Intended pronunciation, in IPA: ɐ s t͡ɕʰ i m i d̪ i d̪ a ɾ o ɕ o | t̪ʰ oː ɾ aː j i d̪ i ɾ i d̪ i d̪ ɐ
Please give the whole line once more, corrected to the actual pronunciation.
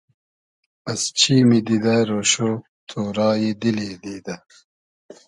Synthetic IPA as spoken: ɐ s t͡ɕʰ i m i d̪ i d̪ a ɾ o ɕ o | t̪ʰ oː ɾ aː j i d̪ i l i d̪ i d̪ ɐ